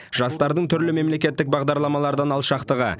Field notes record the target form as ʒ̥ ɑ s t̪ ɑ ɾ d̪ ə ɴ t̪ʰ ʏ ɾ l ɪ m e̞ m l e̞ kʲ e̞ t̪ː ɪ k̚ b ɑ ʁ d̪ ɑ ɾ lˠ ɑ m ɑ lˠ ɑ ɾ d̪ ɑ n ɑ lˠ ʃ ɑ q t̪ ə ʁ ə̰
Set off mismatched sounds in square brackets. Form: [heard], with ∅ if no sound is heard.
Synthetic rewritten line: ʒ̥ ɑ s t̪ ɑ ɾ d̪ ə ɴ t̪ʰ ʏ ɾ l ɪ m e̞ m l e̞ kʲ e̞ t̪ː ɪ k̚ b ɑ ʁ d̪ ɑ ɾ lˠ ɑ m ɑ lˠ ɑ ɾ d̪ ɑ n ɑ lˠ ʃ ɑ q t̪ ə ʁ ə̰